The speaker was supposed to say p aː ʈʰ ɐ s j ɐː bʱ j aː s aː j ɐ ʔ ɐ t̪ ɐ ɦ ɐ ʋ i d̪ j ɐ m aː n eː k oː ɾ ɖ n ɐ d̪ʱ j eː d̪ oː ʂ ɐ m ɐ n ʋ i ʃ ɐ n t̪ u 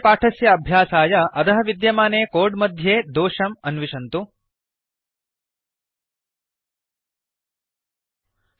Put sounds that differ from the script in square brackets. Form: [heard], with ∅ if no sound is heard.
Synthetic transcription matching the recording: p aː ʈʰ ɐ s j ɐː bʱ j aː s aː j ɐ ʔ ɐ t̪ ɐ ɦ ɐ ʋ i d̪ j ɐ m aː n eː k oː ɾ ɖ [m] ɐ d̪ʱ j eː d̪ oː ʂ ɐ m ɐ n ʋ i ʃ ɐ n t̪ u